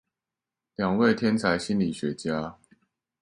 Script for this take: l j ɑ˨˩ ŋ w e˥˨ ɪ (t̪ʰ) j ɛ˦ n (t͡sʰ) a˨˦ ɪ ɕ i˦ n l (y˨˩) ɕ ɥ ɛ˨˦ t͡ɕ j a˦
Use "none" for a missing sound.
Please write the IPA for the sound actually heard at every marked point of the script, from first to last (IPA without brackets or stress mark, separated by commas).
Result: t̪ʰ, t͡sʰ, i˨˩